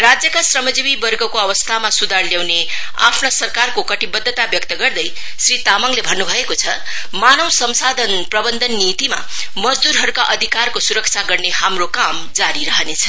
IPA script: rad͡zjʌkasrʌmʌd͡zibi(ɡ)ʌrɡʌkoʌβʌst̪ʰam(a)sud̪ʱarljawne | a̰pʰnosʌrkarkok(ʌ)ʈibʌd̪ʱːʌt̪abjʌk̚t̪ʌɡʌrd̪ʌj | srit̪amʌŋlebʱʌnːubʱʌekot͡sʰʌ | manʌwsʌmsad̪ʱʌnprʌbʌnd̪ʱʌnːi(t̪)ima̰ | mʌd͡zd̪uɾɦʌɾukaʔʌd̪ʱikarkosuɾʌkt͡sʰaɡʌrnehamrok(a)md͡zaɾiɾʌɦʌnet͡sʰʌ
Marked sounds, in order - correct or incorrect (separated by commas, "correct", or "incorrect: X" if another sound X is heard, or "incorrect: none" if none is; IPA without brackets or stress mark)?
incorrect: b, correct, correct, correct, correct